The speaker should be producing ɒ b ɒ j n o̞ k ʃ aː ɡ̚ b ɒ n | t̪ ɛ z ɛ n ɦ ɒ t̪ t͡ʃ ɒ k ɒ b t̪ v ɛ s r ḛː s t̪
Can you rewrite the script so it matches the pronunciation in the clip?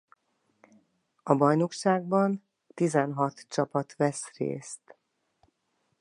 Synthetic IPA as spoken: ɒ b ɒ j n o̞ k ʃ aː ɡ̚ b ɒ n | t̪ i z ɛ n ɦ ɒ t̪ t͡ʃ ɒ p ɒ t̪ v ɛ s r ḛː s t̪